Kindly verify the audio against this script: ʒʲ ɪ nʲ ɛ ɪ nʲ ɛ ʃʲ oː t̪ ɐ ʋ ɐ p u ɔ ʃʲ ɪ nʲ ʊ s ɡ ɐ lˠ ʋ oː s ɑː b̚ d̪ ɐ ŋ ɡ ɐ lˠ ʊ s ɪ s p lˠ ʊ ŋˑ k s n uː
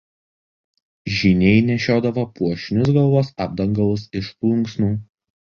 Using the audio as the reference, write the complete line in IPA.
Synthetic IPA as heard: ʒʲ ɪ nʲ ɛ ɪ nʲ ɛ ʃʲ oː d̪ ɐ ʋ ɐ p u ɔ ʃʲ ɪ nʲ ʊ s ɡ ɐ lˠ ʋ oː s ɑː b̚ d̪ ɐ ŋ ɡ ɐ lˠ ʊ s ɪ ʃ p lˠ ʊ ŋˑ k s n uː

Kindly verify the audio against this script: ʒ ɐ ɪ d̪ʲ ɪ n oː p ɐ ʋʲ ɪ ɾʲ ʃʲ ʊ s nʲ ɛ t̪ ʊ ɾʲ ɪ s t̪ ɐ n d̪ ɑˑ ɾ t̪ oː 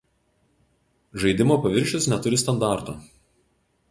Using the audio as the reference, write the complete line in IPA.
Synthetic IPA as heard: ʒ ɐ ɪ d̪ʲ ɪ m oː p ɐ ʋʲ ɪ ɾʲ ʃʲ ʊ s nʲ ɛ t̪ ʊ ɾʲ ɪ s t̪ ɐ n d̪ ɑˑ ɾ t̪ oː

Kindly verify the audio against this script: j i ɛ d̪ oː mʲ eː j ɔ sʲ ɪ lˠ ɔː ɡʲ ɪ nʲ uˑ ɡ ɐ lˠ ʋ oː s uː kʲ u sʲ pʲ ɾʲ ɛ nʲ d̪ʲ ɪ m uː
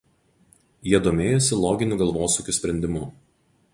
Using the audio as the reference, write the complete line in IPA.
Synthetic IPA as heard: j i ɛ d̪ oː mʲ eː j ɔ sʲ ɪ lˠ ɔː ɡʲ ɪ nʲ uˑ ɡ ɐ lˠ ʋ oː s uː kʲ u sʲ pʲ ɾʲ ɛ nʲ d̪ʲ ɪ m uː

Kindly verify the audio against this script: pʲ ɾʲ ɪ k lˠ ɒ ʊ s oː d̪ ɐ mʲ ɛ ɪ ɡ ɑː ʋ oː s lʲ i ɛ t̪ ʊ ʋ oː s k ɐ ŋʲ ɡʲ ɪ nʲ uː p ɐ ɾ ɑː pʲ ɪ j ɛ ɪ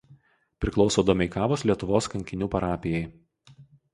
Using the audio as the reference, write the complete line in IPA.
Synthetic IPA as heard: pʲ ɾʲ ɪ k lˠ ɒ ʊ s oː d̪ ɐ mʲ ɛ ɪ k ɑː ʋ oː s lʲ i ɛ t̪ ʊ ʋ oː s k ɐ ŋʲ kʲ ɪ nʲ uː p ɐ ɾ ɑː pʲ ɪ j ɛ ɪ

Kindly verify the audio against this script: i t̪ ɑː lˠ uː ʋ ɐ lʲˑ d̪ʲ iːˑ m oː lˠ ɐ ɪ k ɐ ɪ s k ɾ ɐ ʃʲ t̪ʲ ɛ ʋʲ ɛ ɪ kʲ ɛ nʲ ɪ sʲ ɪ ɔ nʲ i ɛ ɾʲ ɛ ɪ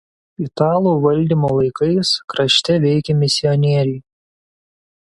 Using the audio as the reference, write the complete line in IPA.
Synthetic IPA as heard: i t̪ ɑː lˠ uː ʋ ɐ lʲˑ d̪ʲ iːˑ m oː lˠ ɐ ɪ k ɐ ɪ s k ɾ ɐ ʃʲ t̪ʲ ɛ ʋʲ ɛ ɪ kʲ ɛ mʲ ɪ sʲ ɪ ɔ nʲ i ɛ ɾʲ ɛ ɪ

